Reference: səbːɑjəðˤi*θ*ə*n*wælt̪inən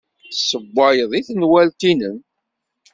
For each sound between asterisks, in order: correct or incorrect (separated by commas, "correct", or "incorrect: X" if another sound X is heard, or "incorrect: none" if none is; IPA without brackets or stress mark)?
correct, correct